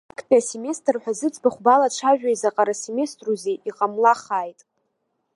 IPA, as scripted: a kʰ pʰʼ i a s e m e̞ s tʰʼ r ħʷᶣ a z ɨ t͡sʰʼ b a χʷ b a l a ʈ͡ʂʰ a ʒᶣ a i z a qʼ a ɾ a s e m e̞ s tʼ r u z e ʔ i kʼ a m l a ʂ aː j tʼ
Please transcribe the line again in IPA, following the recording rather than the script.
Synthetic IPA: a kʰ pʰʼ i a s e m e̞ s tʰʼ r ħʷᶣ a z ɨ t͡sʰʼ b a χʷ b a l a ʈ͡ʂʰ a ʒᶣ a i z a qʼ a ɾ a s e m e̞ s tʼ r u z e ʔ i qʼ a m l a χ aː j tʼ